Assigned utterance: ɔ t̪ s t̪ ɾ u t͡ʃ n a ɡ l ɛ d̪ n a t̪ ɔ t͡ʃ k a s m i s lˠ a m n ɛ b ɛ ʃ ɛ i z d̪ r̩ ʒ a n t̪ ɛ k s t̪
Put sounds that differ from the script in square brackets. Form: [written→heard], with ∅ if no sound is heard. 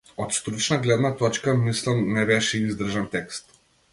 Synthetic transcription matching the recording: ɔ t̪ s t̪ ɾ u t͡ʃ n a ɡ l ɛ d̪ n a t̪ ɔ t͡ʃ k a [s→∅] m i s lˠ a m n ɛ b ɛ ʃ ɛ i z d̪ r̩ ʒ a n t̪ ɛ k s t̪